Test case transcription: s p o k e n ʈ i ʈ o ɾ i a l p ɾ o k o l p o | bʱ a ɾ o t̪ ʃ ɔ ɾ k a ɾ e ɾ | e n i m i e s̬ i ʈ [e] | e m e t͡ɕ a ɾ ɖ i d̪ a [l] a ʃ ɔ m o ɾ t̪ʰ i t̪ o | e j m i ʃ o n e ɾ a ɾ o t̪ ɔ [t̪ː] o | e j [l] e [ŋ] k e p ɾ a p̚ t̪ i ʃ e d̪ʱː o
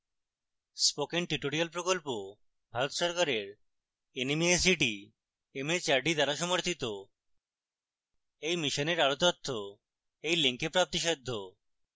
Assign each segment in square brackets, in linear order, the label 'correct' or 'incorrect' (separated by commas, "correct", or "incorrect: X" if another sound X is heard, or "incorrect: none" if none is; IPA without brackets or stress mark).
incorrect: i, incorrect: ɾ, incorrect: t̪ʰː, correct, correct